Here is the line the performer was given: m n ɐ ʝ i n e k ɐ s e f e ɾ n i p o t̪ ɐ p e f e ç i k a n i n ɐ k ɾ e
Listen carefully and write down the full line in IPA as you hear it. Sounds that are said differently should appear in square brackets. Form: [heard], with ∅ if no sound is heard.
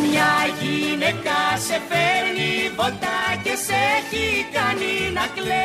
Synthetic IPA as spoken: m [ɲ] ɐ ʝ i n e k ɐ s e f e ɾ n i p o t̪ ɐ [c] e [s] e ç i k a n i n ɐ k [l] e